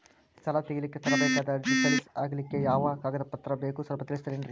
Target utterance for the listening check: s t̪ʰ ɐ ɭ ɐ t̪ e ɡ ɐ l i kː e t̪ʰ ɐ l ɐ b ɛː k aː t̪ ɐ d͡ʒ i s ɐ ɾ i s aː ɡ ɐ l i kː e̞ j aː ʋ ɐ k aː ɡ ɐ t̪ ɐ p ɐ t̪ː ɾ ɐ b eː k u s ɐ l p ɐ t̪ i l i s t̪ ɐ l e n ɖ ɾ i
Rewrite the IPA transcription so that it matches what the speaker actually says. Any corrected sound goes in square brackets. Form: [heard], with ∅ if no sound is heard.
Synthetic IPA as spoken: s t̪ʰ ɐ [l] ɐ t̪ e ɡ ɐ l i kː e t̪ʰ ɐ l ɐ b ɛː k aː [d̪] ɐ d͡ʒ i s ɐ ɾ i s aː ɡ ɐ l i kː e̞ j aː ʋ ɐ k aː ɡ ɐ [d̪] ɐ p ɐ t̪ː ɾ ɐ b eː k u s ɐ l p ɐ t̪ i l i s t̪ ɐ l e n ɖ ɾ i